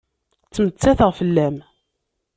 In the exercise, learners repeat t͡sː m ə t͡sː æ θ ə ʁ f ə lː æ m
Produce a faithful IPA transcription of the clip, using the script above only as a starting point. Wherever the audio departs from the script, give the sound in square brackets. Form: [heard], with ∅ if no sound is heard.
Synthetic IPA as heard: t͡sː m ə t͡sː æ θ ə ʁ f ə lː æ m